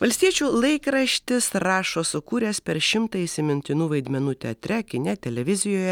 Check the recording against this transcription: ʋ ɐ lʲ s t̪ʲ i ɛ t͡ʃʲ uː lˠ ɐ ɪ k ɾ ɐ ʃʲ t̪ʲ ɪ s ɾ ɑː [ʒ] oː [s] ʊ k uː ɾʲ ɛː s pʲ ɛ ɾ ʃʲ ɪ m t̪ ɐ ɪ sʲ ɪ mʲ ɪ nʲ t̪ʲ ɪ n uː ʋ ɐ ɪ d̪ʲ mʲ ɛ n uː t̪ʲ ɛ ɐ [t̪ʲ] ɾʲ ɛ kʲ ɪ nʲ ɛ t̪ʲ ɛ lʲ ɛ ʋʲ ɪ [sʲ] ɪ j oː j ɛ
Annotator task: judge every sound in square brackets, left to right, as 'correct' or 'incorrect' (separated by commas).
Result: incorrect, correct, correct, incorrect